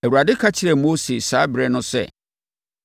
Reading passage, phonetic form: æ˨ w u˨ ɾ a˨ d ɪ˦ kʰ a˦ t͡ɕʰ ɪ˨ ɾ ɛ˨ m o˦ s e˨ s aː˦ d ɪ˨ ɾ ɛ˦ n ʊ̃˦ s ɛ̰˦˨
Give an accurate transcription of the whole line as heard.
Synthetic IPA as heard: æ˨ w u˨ ɾ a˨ d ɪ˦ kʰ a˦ t͡ɕʰ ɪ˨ ɾ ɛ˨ m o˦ s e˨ s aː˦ b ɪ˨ ɾ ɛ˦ n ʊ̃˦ s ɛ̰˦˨